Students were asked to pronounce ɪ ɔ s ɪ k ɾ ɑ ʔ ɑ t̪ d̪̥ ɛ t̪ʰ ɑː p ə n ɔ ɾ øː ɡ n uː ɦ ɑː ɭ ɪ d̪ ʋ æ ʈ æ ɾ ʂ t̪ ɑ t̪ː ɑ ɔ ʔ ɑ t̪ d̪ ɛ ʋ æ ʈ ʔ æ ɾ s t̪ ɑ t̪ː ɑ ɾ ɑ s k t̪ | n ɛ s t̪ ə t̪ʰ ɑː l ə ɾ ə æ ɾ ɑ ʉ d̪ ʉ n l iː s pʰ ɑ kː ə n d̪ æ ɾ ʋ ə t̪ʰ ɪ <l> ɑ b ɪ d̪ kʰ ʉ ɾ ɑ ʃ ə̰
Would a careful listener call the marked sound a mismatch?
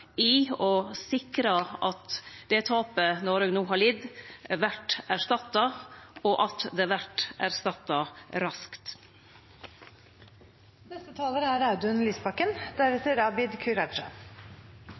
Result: yes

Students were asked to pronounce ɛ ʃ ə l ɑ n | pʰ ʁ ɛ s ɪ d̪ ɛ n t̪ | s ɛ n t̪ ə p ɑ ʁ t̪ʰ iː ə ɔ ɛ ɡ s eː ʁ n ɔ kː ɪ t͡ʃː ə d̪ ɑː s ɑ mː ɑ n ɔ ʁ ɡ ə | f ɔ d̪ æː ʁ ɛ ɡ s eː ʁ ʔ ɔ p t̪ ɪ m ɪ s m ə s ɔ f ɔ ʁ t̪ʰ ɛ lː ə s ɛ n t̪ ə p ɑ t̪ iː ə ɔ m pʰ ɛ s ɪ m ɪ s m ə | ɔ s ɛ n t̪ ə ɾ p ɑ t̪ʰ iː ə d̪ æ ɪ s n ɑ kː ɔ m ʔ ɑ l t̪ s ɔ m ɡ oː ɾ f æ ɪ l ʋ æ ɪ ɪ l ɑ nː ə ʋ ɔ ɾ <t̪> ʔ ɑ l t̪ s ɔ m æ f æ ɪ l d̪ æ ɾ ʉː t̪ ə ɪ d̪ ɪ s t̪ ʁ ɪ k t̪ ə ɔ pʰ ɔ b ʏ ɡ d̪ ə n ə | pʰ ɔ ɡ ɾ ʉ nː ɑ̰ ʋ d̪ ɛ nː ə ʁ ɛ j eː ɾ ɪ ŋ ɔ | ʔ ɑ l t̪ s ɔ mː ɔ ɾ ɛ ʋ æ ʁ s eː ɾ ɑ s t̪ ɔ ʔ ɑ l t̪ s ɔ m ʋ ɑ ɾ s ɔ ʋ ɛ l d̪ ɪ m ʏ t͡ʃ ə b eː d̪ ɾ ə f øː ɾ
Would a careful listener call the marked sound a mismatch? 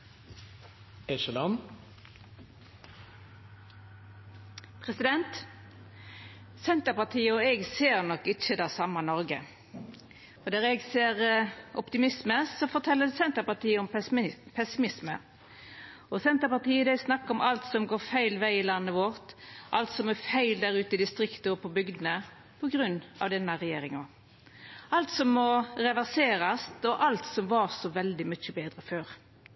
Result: no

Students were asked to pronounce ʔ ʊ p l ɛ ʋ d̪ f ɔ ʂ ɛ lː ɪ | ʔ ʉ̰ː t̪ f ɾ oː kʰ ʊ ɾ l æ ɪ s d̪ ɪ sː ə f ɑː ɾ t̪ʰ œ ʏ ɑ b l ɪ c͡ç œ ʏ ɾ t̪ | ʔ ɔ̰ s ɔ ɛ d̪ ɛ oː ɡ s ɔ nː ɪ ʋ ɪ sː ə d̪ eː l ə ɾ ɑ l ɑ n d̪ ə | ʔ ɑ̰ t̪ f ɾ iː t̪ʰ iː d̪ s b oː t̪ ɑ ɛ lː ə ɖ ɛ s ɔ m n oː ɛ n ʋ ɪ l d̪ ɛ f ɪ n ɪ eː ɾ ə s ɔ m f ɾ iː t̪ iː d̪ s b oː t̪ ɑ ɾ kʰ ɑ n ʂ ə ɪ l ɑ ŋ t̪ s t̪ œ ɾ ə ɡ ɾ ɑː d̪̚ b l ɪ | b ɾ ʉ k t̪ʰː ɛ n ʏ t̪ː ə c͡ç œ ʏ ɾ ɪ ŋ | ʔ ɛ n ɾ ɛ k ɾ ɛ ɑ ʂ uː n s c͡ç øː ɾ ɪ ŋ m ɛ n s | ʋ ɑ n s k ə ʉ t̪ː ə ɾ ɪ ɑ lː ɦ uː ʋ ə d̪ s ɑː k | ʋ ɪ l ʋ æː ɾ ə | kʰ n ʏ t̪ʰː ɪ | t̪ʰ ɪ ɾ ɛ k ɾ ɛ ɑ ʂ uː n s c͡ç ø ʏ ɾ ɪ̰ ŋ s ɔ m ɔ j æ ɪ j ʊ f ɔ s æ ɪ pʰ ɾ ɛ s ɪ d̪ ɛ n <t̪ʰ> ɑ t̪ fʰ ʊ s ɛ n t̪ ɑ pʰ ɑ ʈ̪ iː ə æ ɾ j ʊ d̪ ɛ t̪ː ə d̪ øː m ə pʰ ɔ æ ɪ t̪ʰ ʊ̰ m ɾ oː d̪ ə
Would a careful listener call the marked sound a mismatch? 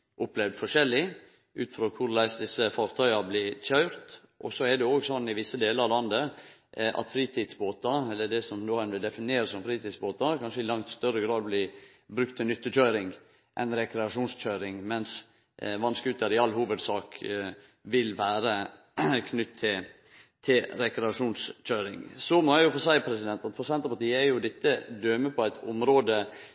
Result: yes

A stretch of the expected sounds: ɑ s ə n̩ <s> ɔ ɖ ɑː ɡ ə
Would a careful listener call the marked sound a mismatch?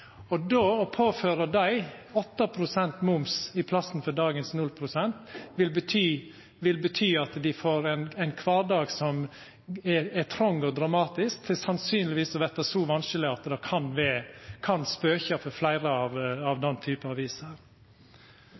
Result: yes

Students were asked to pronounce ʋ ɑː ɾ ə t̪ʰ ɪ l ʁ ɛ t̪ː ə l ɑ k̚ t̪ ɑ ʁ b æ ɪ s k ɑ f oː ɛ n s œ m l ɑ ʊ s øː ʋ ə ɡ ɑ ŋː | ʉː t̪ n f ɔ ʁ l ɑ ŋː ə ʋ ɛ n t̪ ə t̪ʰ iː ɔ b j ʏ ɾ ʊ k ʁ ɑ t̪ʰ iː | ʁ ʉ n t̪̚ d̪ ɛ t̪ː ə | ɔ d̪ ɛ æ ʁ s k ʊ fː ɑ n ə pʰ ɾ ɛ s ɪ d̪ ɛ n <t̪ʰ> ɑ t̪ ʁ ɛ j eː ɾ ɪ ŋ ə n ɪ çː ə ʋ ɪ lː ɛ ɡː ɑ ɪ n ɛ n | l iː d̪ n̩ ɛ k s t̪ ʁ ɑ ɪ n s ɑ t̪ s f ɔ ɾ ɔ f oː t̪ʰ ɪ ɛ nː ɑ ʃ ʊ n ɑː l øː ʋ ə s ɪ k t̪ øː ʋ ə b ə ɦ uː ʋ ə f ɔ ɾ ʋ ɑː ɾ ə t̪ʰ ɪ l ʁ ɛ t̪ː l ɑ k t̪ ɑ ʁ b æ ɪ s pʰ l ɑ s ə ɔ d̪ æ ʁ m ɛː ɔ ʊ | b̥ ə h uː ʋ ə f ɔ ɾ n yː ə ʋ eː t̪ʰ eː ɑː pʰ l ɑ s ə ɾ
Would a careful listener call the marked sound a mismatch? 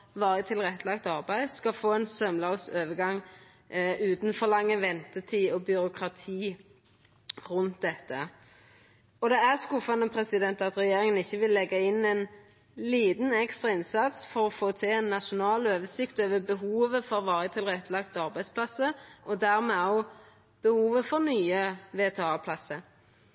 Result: yes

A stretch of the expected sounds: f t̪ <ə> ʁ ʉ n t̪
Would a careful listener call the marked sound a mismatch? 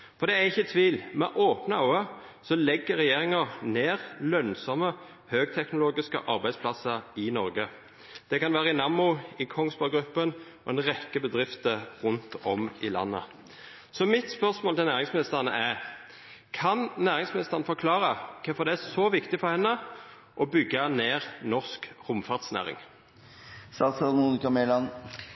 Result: no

